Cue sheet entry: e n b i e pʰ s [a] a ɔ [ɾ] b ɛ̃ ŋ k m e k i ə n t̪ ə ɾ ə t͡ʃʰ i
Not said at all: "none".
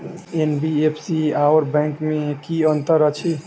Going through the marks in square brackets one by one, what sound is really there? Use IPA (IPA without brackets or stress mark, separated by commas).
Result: i, ɾ